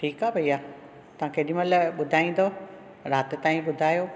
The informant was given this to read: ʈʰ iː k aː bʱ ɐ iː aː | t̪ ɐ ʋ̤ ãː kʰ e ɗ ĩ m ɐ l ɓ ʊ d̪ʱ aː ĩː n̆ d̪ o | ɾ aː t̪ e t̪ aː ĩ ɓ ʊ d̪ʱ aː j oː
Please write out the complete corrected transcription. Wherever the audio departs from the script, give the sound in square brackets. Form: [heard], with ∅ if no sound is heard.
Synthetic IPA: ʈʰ iː k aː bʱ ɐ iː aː | t̪ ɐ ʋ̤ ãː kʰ e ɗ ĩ m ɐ l ɓ ʊ d̪ʱ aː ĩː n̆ d̪ o | ɾ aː t̪ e t̪ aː ĩ ɓ ʊ d̪ʱ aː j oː